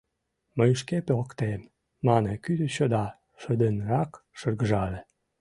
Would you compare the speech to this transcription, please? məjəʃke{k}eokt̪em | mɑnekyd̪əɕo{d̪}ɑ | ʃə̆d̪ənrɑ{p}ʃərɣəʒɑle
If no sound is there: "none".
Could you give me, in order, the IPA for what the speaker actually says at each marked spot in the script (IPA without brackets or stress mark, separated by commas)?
p, d̪, k